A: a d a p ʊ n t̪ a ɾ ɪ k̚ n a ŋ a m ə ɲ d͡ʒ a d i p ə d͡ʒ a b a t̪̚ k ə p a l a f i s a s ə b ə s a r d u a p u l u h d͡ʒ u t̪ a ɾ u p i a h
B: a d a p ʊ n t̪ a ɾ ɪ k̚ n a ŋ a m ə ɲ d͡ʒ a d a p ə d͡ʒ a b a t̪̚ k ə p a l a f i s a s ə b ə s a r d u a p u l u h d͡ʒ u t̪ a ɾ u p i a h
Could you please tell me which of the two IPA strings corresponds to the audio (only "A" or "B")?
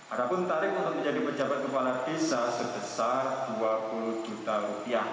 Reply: A